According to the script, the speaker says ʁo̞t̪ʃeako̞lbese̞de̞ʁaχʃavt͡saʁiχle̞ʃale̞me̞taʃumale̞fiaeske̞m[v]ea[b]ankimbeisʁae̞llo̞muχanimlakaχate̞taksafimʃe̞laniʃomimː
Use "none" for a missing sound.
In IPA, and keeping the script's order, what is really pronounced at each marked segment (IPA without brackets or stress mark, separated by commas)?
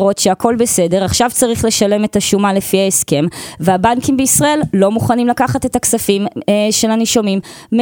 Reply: v, b